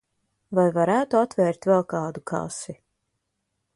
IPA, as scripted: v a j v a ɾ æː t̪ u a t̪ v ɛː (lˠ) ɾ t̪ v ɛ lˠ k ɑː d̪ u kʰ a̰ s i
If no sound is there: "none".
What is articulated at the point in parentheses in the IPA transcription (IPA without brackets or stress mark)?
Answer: none